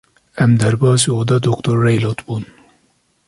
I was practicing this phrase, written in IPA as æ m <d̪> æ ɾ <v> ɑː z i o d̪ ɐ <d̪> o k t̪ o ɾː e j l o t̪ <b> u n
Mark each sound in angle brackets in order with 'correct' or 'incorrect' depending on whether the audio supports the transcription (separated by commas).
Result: correct, incorrect, correct, correct